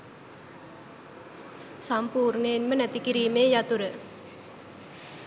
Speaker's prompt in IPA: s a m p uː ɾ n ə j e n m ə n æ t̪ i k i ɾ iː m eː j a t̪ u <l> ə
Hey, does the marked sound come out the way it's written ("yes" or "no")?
no